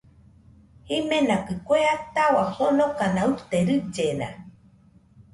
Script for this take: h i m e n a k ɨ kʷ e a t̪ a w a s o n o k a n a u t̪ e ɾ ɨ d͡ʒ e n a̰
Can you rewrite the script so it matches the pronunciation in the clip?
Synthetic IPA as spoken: h i m e n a k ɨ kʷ e a t̪ a w a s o n o k a n a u t̪ e ɾ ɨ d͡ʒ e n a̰